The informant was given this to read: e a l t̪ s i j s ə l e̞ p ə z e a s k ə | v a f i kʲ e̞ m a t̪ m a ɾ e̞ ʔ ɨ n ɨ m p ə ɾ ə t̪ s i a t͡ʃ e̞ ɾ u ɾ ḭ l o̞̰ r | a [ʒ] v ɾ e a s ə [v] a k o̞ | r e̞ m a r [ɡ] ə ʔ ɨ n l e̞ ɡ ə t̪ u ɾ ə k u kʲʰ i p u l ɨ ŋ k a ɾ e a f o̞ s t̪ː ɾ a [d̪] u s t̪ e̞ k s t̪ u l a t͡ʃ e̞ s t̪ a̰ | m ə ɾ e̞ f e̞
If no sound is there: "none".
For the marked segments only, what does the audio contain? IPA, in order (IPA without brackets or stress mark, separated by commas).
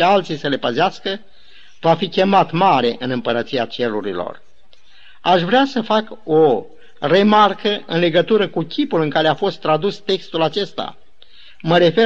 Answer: ʃ, f, k, d̪